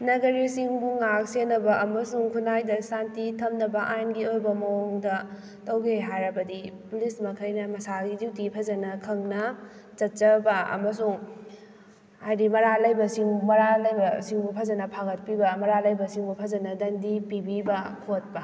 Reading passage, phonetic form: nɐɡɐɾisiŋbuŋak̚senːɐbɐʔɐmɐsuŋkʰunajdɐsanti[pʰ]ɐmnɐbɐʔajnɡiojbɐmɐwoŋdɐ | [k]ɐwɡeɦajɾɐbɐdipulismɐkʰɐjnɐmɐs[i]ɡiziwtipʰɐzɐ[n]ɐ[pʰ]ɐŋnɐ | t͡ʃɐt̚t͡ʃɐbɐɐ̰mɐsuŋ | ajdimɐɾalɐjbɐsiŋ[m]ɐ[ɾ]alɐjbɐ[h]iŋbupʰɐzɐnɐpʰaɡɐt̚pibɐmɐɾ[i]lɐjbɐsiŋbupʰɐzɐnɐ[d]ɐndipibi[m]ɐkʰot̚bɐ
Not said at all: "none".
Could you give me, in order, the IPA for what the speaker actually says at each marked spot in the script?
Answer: tʰ, t, a, n, kʰ, m, ɾ, s, a, d, b

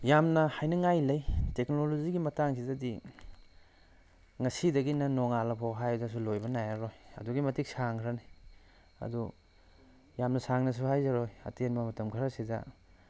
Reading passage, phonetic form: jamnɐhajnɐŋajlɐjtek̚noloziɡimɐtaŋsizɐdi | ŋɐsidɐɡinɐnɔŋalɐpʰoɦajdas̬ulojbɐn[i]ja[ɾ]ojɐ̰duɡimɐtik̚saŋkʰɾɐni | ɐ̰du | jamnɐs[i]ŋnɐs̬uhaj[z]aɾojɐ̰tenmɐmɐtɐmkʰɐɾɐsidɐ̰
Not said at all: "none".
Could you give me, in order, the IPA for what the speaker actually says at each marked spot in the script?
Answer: a, ɾ, a, z

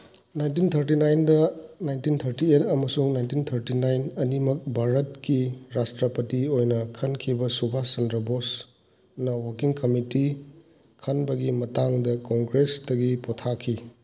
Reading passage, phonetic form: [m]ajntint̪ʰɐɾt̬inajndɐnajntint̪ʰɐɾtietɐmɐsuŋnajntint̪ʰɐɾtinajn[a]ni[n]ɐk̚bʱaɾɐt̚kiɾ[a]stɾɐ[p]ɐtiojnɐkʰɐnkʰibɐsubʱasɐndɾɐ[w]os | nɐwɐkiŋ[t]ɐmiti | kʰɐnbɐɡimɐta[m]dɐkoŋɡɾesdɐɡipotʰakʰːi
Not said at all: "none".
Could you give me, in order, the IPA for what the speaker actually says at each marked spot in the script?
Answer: n, ɐ, m, a, p, b, k, ŋ

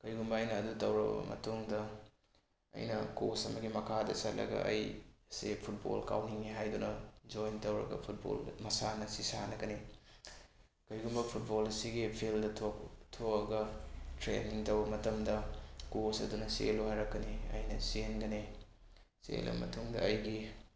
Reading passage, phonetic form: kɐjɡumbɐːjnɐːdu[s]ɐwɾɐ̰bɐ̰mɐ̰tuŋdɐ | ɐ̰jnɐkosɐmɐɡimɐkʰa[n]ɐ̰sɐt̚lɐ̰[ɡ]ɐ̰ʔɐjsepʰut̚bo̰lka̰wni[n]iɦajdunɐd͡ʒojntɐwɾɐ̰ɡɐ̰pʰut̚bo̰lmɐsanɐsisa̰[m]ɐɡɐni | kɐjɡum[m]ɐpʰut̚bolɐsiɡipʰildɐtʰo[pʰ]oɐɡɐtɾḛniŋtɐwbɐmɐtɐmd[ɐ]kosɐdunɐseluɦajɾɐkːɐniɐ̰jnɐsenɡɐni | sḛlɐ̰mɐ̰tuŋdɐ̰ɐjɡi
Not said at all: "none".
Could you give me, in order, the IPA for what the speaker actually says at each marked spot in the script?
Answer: t, d, ɡ, ŋ, n, b, tʰ, ɐ

